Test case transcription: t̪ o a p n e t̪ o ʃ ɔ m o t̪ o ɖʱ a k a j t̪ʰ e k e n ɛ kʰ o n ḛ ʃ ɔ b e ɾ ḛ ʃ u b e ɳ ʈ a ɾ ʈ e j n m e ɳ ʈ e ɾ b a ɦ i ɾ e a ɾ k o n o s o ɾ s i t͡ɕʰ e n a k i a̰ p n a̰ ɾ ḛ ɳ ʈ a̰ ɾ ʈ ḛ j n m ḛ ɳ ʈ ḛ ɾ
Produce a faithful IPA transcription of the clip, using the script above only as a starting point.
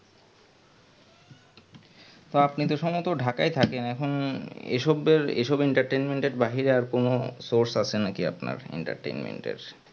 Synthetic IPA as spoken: t̪ o a p n i t̪ o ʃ ɔ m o t̪ o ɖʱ a k a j t̪ʰ a k e n ɛ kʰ o n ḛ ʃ ɔ b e ɾ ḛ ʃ ɔ b e ɳ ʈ a ɾ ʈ e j n m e ɳ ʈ e ɾ b a ɦ i ɾ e a ɾ k o n o s o ɾ s a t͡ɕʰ e n a k i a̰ p n a̰ ɾ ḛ ɳ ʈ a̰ ɾ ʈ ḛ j n m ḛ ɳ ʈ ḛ ɾ